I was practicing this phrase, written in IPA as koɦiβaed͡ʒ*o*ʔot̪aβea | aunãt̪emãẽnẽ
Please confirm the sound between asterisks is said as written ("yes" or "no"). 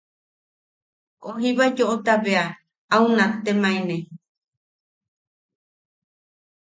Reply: yes